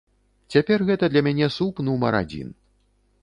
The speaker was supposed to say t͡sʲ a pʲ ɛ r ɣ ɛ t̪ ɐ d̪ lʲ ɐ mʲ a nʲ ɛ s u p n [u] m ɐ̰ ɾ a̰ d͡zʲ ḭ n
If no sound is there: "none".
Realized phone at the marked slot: u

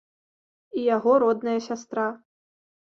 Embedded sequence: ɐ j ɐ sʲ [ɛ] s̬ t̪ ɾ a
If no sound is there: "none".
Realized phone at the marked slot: a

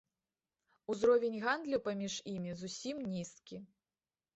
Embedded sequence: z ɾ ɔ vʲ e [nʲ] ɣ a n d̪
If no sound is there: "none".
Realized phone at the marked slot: nʲ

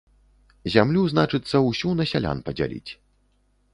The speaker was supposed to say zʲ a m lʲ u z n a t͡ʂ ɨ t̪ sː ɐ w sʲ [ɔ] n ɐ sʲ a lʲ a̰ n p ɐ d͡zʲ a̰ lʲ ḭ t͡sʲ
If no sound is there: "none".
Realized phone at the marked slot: u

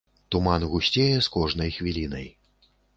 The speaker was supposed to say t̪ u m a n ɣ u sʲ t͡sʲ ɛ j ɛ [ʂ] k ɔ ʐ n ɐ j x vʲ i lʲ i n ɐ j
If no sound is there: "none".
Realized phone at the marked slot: s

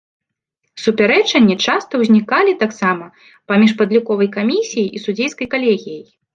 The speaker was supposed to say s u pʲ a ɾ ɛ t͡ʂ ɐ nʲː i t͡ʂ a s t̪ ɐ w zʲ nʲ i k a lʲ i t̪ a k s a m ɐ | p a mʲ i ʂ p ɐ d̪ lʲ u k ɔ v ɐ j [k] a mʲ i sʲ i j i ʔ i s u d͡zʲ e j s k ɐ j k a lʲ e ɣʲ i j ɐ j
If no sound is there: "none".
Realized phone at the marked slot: k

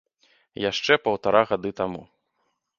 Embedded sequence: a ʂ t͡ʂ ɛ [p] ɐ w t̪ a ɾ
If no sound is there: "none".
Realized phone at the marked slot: p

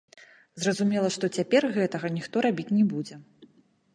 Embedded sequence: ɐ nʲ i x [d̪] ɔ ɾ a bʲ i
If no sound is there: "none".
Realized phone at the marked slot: t̪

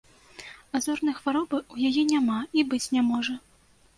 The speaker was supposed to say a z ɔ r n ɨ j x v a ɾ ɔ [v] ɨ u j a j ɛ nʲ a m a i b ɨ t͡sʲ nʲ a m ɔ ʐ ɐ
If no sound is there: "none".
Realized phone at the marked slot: b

